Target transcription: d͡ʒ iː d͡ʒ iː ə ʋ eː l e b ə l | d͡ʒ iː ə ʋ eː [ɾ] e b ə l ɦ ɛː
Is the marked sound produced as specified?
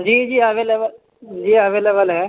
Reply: no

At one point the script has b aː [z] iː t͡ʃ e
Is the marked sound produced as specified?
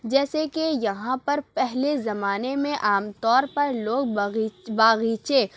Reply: no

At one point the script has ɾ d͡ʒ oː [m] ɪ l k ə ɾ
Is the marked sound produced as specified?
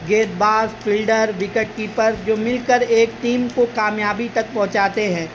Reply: yes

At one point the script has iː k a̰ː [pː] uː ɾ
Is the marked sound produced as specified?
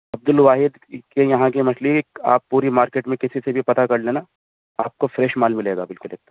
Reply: yes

